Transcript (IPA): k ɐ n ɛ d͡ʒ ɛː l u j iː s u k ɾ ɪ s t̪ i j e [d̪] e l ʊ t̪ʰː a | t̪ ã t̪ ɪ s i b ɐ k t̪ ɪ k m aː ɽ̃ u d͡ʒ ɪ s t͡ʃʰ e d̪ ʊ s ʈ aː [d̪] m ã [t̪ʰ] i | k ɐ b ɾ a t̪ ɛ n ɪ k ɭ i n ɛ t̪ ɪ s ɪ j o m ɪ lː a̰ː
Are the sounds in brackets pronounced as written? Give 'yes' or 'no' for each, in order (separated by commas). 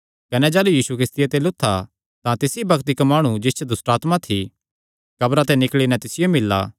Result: no, no, yes